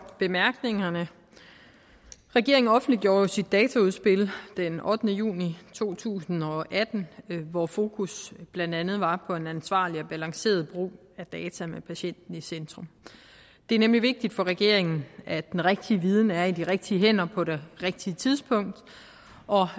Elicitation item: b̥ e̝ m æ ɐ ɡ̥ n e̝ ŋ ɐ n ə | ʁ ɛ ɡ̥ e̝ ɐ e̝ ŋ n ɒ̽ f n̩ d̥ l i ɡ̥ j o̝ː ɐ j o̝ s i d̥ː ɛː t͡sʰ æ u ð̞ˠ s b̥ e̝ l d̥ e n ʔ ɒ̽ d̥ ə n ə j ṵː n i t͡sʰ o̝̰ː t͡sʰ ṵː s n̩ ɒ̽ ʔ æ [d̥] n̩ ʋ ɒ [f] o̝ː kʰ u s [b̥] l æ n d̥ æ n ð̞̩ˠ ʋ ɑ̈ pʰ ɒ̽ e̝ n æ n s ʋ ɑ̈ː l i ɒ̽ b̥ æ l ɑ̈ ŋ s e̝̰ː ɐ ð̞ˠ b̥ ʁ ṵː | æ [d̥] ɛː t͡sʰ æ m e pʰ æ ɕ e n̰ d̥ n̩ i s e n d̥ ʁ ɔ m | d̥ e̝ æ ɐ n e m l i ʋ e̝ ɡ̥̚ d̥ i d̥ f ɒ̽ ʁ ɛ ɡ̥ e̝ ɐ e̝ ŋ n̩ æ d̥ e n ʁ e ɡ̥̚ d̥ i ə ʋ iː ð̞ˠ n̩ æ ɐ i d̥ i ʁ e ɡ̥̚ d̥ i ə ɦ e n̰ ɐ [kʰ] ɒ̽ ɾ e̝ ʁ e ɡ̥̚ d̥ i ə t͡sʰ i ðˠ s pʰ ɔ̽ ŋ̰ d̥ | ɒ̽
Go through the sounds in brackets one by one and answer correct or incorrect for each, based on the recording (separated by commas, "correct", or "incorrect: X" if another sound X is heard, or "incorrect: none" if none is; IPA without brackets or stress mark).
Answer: correct, correct, correct, correct, incorrect: pʰ